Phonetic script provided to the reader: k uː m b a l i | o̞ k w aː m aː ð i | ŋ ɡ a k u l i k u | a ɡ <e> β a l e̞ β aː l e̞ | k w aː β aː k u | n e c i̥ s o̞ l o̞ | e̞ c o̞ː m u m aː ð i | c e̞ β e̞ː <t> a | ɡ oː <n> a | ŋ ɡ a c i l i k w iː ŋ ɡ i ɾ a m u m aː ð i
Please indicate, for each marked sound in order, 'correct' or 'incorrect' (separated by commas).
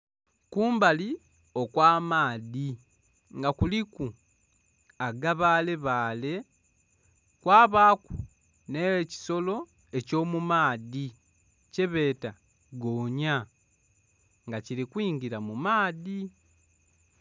incorrect, correct, incorrect